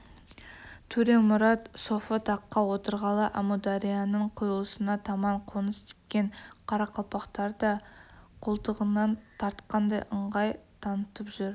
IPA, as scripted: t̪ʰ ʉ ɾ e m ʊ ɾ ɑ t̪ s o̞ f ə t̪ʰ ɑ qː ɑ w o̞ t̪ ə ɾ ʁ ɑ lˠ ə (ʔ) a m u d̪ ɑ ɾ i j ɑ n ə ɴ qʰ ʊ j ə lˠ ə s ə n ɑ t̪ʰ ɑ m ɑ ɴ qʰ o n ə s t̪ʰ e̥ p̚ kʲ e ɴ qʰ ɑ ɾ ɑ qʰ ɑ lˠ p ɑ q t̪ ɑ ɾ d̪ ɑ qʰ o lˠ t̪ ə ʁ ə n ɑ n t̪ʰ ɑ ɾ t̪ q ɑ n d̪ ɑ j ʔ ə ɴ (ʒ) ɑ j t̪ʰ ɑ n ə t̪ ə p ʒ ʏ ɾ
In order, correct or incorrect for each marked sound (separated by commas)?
correct, incorrect